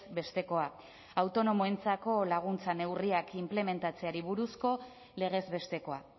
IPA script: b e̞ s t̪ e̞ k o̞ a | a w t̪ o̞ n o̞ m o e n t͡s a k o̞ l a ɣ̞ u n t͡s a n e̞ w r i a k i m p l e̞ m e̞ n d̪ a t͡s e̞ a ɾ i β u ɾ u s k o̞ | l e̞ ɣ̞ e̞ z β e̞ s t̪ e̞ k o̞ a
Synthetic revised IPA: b e̞ s t̪ e̞ k o̞ a | a w t̪ o̞ n o̞ m o e n t͡s a k o̞ l a ɣ̞ u n t͡s a n e̞ w r i a k i m p l e̞ m e̞ n t̪ a t͡s e̞ a ɾ i β u ɾ u s k o̞ | l e̞ ɣ̞ e̞ z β e̞ s t̪ e̞ k o̞ a